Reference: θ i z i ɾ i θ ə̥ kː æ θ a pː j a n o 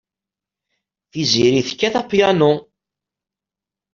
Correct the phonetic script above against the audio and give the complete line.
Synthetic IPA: θ i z i ɾ i θ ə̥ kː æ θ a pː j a n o

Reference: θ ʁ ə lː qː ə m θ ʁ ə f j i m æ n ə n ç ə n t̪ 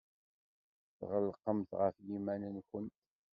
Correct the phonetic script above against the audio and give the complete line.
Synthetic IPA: θ ʁ ə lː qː ə m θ ʁ ə f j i m æ n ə n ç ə n t̪

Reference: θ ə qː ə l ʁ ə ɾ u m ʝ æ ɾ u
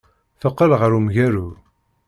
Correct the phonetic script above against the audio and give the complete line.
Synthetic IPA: θ ə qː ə l ʁ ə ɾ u m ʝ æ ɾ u

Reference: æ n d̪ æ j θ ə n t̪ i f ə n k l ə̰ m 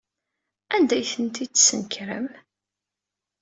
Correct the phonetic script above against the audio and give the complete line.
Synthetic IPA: æ n d̪ æ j θ ə n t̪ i s ə n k ɾ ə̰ m

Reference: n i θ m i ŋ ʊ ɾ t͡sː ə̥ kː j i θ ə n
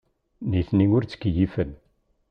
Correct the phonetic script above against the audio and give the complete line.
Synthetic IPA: n i θ n i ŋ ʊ ɾ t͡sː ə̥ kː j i f ə n

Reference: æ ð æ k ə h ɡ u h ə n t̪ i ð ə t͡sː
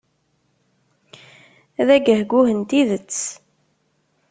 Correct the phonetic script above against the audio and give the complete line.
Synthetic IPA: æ ð æ ɡ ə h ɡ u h ə n t̪ i ð ə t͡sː

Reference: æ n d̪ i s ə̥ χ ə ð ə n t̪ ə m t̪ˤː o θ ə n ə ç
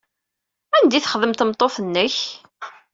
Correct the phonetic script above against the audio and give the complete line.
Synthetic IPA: æ n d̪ i θ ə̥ χ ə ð ə m t̪ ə m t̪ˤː o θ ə nː ə ç

